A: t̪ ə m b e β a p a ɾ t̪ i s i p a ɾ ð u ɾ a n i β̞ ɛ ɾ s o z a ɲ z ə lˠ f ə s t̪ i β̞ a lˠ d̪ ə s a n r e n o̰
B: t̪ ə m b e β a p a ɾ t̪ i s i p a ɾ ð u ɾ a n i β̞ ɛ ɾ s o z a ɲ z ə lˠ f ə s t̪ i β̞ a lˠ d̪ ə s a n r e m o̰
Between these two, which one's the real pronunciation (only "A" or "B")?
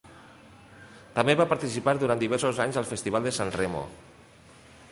B